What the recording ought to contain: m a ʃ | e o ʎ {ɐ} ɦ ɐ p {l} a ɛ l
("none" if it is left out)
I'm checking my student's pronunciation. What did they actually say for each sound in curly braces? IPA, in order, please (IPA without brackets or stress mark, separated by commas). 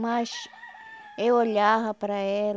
a, ɾ